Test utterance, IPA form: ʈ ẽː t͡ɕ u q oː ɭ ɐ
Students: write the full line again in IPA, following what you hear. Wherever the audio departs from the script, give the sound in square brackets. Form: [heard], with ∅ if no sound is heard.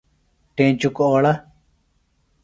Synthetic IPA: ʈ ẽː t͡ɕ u [k] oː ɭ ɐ